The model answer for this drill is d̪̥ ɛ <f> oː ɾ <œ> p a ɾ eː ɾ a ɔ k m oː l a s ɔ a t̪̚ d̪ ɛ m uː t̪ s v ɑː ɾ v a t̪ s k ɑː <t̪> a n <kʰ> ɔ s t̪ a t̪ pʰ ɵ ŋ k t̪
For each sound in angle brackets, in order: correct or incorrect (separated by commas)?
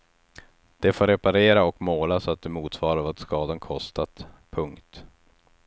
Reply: correct, incorrect, incorrect, correct